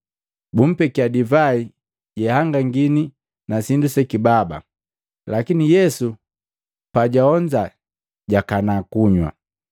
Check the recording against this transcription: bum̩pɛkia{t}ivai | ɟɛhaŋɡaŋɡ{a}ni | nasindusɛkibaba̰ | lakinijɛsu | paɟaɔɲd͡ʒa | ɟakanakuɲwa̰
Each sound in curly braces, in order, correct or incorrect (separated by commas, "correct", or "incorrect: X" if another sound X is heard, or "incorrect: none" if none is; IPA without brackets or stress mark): incorrect: d, incorrect: i